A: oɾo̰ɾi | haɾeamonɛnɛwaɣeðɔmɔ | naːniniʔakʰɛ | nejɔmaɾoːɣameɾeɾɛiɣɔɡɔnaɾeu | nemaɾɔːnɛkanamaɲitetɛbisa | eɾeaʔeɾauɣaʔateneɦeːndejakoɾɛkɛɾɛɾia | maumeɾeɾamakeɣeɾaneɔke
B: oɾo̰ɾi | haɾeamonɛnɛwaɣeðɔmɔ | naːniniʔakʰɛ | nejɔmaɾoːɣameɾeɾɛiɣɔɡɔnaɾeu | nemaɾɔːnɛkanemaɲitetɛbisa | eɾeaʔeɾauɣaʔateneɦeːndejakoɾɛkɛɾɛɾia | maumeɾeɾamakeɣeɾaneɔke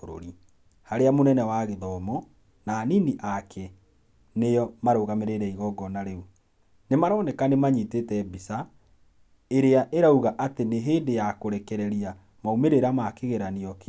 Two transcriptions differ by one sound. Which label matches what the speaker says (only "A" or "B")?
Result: B